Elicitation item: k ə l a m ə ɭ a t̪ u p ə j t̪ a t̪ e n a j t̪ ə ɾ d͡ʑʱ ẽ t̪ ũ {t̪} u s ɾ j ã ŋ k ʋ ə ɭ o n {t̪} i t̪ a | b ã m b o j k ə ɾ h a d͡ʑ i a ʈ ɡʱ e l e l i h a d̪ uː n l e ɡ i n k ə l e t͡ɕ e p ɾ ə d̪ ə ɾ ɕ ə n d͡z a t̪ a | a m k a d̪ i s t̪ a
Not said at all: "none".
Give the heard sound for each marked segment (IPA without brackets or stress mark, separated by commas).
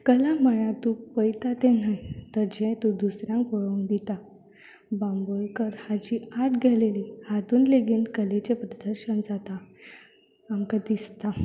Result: d̪, d̪